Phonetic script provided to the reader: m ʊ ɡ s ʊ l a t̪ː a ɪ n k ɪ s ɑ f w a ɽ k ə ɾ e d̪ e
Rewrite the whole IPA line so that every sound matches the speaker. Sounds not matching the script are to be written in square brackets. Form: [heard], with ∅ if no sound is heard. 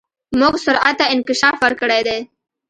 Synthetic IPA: m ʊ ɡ s ʊ [ɾ] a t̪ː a ɪ n k ɪ [ʃ] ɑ f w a [ɾ] k ə [ɽ] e d̪ e